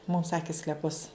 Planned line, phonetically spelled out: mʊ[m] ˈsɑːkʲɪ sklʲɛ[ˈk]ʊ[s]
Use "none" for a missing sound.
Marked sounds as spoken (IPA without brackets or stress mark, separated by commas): m, p, s